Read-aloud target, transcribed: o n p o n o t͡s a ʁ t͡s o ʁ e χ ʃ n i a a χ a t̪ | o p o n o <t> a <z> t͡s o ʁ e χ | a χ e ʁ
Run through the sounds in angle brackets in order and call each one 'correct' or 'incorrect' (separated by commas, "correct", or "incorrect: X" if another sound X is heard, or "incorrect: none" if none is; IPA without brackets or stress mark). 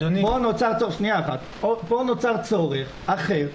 incorrect: t͡s, incorrect: ʁ